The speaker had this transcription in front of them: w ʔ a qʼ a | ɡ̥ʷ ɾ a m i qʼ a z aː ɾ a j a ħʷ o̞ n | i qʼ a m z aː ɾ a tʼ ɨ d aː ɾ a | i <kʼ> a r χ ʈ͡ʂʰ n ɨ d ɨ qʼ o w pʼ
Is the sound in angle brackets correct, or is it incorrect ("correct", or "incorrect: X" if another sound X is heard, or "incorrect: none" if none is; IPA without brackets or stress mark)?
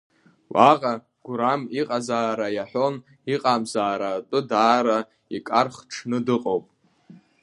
correct